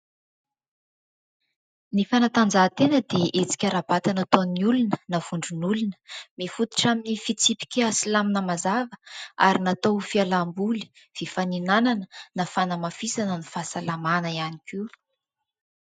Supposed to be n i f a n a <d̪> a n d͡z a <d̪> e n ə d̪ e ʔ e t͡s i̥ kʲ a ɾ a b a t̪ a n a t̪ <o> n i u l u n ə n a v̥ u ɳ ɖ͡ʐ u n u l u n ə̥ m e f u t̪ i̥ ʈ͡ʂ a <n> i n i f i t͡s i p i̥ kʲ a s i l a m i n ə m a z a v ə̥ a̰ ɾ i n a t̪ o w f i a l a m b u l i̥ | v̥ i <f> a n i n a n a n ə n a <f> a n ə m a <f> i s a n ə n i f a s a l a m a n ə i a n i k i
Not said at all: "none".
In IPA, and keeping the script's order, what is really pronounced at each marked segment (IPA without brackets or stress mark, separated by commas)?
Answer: t̪, t̪, o, m, f, f, f